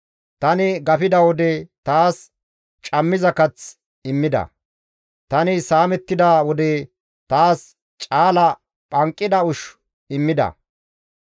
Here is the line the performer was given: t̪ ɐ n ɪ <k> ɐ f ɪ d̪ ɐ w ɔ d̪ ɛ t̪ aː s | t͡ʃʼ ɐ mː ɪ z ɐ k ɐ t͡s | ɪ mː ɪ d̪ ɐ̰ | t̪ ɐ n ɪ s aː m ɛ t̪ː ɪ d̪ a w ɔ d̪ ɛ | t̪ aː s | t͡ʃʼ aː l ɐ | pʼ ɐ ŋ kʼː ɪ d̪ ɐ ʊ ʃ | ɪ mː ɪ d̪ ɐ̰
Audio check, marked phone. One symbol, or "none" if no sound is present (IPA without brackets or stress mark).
ɡ